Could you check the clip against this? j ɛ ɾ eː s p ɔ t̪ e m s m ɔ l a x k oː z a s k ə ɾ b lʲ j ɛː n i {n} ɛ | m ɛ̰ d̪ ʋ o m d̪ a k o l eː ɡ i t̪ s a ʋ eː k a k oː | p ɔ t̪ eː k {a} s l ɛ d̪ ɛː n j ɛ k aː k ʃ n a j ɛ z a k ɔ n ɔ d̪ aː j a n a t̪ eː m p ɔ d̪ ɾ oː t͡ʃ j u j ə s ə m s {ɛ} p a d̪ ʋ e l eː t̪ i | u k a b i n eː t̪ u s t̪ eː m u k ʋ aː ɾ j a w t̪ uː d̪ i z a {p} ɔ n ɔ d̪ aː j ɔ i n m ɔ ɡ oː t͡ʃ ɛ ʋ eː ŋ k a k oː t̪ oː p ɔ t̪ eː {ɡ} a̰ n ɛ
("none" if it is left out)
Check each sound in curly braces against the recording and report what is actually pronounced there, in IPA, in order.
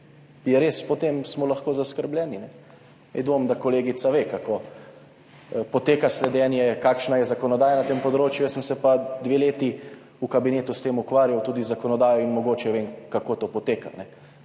n, a, ɛ, k, k

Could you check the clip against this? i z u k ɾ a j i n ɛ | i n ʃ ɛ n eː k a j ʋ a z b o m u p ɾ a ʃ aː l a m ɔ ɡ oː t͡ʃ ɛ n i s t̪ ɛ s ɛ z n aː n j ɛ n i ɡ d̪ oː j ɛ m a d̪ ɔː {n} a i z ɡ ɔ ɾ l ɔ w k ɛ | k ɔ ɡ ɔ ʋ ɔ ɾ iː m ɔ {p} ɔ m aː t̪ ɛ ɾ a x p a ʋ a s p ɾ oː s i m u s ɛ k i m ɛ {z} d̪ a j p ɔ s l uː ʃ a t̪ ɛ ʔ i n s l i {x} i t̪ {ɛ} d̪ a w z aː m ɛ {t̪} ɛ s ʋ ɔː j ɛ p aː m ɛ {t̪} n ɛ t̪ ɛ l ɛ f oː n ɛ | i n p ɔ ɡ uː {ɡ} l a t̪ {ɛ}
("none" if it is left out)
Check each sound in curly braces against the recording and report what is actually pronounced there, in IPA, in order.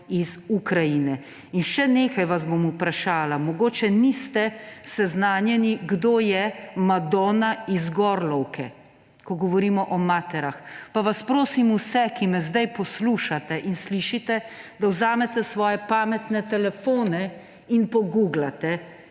n, ʔ, z, ʃ, ɛ, t̪, t̪, ɡ, ɛ

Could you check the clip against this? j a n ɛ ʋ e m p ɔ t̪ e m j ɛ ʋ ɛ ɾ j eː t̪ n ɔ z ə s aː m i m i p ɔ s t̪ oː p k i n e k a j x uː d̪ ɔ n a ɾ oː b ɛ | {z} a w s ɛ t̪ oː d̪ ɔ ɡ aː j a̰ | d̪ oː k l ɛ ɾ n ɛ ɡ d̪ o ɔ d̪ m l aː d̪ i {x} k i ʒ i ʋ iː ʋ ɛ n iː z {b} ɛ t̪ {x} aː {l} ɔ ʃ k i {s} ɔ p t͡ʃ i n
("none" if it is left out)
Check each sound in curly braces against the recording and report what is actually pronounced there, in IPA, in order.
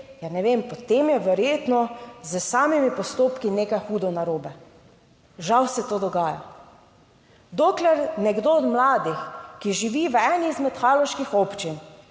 ʒ, x, m, x, l, x

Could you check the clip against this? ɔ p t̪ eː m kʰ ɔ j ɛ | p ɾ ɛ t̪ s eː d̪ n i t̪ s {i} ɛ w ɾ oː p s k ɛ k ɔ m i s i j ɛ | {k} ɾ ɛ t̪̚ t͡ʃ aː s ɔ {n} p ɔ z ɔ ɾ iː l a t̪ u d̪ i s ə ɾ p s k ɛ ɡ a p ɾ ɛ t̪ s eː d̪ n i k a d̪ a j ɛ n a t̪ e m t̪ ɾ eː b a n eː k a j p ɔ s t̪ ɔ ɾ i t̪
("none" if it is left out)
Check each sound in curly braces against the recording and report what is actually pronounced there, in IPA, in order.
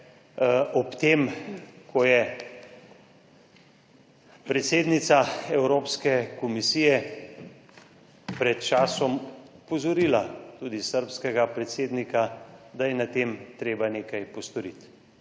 a, p, m

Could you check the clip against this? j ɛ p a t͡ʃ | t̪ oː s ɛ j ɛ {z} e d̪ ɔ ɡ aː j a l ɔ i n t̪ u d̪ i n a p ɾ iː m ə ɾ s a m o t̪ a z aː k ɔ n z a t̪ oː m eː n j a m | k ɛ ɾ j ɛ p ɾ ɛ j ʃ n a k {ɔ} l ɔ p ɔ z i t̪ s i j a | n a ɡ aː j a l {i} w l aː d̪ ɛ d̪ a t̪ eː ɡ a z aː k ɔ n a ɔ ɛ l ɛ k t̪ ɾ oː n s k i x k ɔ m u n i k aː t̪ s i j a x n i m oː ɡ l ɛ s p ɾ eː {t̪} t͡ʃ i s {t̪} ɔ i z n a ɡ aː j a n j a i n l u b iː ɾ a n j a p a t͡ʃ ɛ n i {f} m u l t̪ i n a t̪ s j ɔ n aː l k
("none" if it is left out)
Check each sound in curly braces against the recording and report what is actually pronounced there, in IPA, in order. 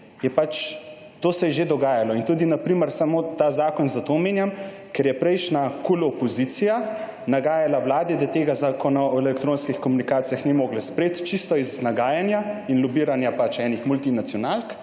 ʒ, u, a, t̪, t̪, x

